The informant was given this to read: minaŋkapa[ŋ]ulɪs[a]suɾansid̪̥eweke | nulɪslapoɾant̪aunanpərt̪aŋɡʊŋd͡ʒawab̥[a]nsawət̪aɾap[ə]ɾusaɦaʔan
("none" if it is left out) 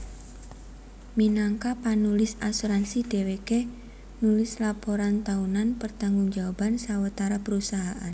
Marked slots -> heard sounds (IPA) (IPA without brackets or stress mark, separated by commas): n, a, a, ə